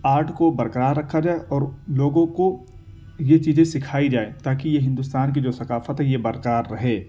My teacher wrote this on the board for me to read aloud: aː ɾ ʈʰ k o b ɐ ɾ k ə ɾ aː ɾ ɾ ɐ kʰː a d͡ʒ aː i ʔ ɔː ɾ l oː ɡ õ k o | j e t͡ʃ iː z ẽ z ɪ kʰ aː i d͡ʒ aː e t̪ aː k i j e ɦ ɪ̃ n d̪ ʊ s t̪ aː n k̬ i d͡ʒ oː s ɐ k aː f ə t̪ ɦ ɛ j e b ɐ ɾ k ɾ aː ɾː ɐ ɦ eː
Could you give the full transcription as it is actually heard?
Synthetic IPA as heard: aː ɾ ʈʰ k o b ɐ ɾ k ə ɾ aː ɾ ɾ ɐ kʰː a d͡ʒ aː e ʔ ɔː ɾ l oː ɡ õ k o | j e t͡ʃ iː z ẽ s ɪ kʰ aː i d͡ʒ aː e t̪ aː k i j e ɦ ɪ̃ n d̪ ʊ s t̪ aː n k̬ i d͡ʒ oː s ɐ k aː f ə t̪ ɦ ɛ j e b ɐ ɾ k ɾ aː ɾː ɐ ɦ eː